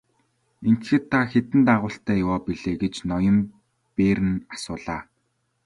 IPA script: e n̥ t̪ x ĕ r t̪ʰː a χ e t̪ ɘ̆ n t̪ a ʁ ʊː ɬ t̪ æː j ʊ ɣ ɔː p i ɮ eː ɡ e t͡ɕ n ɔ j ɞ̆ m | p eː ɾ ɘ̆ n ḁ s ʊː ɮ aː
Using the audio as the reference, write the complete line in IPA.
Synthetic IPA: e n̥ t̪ x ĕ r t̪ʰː a x e t̪ ɘ̆ n t̪ a ʁ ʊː ɬ t̪ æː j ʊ w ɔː p i ɮ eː ɡ e t͡ɕ n ɔ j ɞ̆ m | p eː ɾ ɘ̆ n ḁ s ʊː ɮ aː